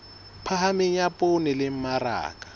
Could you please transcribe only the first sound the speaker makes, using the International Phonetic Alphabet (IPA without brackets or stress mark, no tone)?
pʰ